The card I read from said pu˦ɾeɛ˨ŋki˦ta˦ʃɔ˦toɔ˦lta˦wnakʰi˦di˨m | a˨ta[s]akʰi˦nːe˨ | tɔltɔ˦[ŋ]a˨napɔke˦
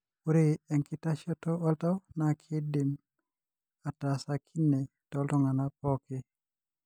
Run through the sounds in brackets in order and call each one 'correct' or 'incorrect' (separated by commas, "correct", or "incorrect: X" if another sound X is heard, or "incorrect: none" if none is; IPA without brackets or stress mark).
correct, correct